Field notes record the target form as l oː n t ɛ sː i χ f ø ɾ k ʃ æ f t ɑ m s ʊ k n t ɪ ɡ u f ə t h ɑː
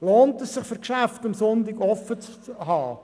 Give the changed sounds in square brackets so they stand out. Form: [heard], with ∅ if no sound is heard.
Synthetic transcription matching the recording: l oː n t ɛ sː [ɪ] χ f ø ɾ k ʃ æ f t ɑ m s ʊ [∅] n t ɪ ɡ [ɔ] f ə [t͡s] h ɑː